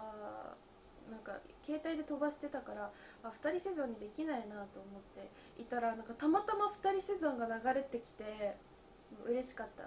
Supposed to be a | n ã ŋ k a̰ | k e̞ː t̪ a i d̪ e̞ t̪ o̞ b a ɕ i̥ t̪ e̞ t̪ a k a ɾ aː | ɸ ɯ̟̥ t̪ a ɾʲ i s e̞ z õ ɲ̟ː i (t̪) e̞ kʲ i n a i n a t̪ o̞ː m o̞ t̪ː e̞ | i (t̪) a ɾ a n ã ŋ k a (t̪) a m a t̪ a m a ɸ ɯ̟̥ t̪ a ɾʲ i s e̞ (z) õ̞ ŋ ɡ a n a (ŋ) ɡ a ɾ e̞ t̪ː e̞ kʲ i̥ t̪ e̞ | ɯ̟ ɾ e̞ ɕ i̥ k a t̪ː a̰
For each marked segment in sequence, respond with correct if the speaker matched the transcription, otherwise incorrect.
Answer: incorrect: d̪, correct, correct, correct, incorrect: none

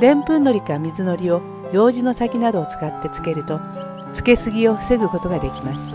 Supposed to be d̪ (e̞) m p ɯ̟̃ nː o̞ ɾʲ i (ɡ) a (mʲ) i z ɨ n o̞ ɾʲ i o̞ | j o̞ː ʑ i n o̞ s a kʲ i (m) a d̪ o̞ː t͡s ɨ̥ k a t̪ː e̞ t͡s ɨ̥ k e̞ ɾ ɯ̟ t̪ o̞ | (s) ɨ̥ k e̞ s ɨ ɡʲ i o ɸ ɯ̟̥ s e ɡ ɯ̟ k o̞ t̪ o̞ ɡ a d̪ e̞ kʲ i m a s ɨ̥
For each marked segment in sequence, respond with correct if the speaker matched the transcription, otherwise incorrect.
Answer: incorrect: ẽ̞, incorrect: k, correct, incorrect: n, incorrect: t͡s

